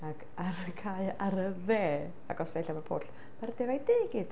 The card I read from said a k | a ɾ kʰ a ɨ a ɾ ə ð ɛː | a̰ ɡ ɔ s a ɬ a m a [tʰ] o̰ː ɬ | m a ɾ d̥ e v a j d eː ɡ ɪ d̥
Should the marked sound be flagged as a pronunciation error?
yes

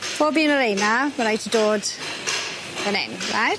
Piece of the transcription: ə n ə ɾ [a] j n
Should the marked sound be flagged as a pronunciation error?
yes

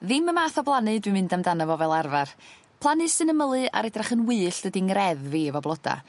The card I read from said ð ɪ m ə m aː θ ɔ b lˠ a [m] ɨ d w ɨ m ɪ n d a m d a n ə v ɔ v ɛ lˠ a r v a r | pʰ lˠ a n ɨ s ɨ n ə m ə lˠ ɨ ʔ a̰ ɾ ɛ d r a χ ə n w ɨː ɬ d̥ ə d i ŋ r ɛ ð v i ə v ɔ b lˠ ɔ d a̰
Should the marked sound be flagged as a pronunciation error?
yes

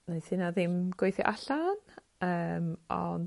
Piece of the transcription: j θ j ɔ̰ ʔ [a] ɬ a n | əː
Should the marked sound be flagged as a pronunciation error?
no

